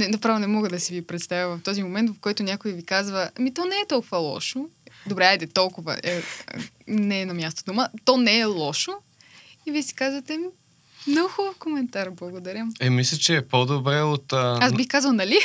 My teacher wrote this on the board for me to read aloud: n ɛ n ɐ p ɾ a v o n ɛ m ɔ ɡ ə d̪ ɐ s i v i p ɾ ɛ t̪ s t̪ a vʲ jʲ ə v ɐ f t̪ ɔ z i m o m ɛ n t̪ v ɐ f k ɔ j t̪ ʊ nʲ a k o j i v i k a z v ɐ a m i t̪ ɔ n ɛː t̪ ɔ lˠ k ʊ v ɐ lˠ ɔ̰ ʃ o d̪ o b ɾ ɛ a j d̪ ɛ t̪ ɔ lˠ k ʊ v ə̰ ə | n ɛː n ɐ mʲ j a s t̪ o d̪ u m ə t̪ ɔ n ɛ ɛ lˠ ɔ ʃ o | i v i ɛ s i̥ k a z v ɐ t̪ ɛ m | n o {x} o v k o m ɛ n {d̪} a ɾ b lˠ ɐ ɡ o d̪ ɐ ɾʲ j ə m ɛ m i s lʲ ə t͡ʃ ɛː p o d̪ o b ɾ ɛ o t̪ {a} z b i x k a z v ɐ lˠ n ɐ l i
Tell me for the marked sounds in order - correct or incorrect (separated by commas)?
correct, incorrect, correct